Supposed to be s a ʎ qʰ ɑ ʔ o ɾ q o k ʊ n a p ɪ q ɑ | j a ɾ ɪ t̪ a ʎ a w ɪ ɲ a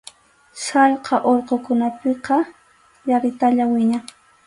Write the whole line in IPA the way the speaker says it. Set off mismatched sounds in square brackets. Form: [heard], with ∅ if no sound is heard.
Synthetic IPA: s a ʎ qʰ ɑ ʔ o ɾ q o k ʊ n a p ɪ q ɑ | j a ɾ ɪ t̪ a ʎ a w ɪ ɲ a